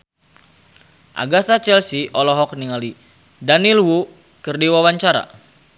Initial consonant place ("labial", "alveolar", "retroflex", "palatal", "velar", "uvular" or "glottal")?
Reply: glottal